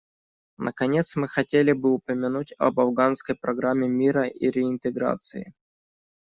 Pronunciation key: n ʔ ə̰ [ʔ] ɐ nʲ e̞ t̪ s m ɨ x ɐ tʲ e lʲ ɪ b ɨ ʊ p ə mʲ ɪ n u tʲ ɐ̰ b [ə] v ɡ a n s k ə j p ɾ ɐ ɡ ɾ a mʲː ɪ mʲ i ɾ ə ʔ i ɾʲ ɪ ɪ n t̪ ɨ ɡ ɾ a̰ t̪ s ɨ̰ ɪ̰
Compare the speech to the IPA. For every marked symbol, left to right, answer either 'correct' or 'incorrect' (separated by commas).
incorrect, incorrect